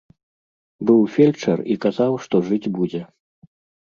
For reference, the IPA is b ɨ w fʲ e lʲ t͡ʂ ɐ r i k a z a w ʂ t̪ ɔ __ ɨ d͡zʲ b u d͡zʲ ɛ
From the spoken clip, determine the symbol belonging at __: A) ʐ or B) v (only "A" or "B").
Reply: A